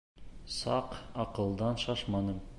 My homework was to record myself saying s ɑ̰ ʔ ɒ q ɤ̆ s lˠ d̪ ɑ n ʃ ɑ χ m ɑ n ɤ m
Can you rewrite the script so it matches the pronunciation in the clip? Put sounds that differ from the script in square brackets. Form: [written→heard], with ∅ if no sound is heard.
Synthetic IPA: s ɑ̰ [ʔ→q] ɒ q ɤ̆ [s→∅] lˠ d̪ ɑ n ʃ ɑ [χ→ʃ] m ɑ n ɤ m

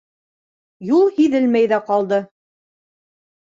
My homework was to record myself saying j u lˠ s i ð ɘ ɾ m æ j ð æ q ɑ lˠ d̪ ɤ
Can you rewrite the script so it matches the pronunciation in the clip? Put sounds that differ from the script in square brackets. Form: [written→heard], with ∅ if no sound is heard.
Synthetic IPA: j u lˠ [s→h] i ð ɘ [ɾ→l] m æ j ð æ q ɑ lˠ d̪ ɤ

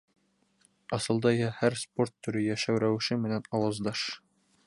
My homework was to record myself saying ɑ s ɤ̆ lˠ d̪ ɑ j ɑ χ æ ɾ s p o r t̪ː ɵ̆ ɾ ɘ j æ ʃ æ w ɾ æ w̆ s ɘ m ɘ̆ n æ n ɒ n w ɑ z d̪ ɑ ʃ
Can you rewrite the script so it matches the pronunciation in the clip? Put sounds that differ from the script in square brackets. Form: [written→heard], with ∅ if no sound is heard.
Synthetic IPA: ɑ s ɤ̆ lˠ d̪ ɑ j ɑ [χ→h] æ ɾ s p o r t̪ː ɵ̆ ɾ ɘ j æ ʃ æ w ɾ æ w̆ [s→ʃ] ɘ m ɘ̆ n æ n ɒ [n→∅] w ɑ z d̪ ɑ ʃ

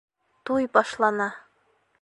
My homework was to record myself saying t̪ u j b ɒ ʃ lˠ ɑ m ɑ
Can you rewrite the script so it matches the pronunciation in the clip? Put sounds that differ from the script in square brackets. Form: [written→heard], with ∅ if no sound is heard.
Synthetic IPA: t̪ u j b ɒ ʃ lˠ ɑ [m→n] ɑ

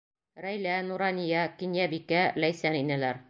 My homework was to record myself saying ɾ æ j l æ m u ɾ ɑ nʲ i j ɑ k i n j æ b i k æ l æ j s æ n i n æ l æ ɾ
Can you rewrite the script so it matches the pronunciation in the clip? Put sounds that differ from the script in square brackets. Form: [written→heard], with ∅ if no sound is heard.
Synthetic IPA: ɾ æ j l æ [m→n] u ɾ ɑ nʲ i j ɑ k i n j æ b i k æ l æ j s æ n i n æ l æ ɾ

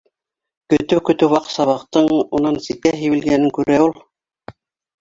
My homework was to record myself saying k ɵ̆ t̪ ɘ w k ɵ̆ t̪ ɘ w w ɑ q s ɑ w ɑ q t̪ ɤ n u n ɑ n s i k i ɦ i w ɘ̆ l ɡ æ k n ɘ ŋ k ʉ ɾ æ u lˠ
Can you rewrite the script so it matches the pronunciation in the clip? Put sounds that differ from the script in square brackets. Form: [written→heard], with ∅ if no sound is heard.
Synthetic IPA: k ɵ̆ t̪ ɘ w k ɵ̆ t̪ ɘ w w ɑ q s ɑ [w→β] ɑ q t̪ ɤ [n→ɴ] u n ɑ n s i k [i→æ] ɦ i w ɘ̆ l ɡ æ [k→∅] n ɘ ŋ k ʉ ɾ æ u lˠ

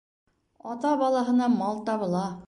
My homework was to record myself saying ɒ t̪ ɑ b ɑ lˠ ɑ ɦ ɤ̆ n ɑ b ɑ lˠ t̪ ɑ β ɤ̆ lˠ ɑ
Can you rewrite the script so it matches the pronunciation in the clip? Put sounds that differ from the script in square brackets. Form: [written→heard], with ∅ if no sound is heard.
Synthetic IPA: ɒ t̪ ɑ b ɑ lˠ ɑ ɦ ɤ̆ n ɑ [b→m] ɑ lˠ t̪ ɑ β ɤ̆ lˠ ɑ

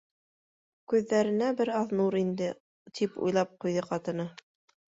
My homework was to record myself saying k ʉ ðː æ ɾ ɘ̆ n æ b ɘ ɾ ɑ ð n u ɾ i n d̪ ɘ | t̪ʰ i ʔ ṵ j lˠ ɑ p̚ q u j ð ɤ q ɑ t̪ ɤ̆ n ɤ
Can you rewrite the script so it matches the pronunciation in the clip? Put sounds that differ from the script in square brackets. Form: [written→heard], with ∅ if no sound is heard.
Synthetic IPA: k ʉ ðː æ ɾ ɘ̆ n æ b ɘ ɾ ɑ ð n u ɾ i n d̪ ɘ | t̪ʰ i [ʔ→p] ṵ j lˠ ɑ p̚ q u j ð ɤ q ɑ t̪ ɤ̆ n ɤ

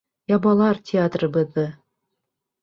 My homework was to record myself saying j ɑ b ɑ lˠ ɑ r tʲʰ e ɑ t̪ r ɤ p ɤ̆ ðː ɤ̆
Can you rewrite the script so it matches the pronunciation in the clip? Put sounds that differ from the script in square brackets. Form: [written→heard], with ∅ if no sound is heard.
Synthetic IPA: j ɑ b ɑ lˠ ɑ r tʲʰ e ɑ t̪ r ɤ [p→b] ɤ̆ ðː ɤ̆

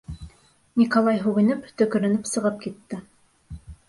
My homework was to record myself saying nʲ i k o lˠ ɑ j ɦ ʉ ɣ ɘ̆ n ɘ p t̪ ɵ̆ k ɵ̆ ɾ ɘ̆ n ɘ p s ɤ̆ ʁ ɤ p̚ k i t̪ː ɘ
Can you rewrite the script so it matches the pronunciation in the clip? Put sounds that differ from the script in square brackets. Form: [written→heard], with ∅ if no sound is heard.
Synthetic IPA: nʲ i k o lˠ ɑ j ɦ ʉ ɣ ɘ̆ n ɘ p t̪ ɵ̆ k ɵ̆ ɾ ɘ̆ n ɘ p s ɤ̆ ʁ ɤ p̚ k i t̪ː ɘ

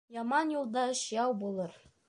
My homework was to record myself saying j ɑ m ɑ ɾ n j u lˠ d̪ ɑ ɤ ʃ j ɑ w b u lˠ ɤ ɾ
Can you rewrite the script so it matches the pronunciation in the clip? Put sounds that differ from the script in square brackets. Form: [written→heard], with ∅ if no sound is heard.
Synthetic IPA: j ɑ m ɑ [ɾ→∅] n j u lˠ d̪ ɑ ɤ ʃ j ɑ w b u lˠ ɤ ɾ

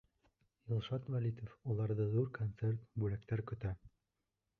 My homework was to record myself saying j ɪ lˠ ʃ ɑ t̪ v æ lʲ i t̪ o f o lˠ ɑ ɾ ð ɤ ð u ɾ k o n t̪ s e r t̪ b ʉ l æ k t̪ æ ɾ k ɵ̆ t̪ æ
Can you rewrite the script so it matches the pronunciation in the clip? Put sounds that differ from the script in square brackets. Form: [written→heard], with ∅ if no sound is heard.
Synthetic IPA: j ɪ lˠ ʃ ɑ t̪ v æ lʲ i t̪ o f [o→u] lˠ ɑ ɾ ð ɤ ð u ɾ k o n t̪ s e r t̪ b ʉ l æ k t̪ æ ɾ k ɵ̆ t̪ æ

